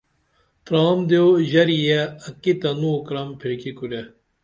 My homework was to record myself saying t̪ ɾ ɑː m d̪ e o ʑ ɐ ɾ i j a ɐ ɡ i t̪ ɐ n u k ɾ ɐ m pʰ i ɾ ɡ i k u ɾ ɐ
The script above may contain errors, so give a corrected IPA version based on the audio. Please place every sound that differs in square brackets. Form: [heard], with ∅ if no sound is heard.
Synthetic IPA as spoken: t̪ ɾ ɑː m d̪ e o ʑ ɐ ɾ i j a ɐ [k] i t̪ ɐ n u k ɾ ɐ m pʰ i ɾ [k] i k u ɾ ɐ